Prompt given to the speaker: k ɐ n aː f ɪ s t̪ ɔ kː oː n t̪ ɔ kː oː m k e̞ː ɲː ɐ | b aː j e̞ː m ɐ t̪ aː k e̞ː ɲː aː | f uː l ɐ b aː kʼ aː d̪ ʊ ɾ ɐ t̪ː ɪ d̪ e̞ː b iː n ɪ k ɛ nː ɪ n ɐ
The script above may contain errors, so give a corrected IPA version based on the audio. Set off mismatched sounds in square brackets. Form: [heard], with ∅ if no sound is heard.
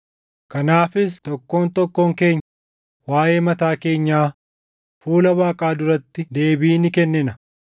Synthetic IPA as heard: k ɐ n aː f ɪ s t̪ ɔ kː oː n t̪ ɔ kː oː [ŋ] k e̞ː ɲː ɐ | [w] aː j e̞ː m ɐ t̪ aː k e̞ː ɲː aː | f uː l ɐ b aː kʼ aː d̪ ʊ ɾ ɐ t̪ː ɪ d̪ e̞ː b iː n ɪ k ɛ nː ɪ n ɐ